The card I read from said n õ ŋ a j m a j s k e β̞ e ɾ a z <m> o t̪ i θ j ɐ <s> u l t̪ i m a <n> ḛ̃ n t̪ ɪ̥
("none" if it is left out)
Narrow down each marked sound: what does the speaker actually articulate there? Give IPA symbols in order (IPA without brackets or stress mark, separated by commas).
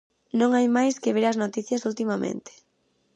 n, s, m